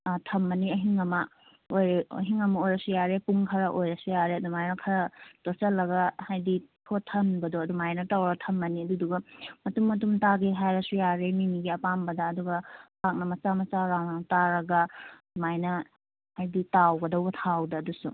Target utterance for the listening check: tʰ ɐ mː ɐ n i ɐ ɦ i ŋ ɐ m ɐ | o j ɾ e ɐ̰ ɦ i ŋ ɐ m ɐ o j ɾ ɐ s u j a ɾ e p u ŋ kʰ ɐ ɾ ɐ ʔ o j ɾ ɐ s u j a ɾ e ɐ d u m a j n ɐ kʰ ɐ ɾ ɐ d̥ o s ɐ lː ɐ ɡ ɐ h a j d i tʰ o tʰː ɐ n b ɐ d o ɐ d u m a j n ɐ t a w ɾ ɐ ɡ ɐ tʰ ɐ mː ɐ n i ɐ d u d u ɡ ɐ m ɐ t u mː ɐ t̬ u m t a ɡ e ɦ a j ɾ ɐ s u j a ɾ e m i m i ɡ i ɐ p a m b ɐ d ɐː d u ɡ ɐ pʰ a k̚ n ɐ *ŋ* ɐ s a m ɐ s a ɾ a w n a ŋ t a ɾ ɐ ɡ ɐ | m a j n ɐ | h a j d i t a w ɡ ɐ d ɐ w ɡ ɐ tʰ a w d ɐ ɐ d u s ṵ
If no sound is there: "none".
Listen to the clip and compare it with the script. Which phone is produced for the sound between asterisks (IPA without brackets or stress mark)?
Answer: m